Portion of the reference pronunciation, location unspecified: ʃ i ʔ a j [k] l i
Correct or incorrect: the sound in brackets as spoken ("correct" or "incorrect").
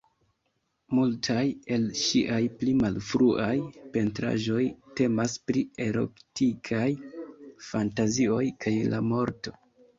incorrect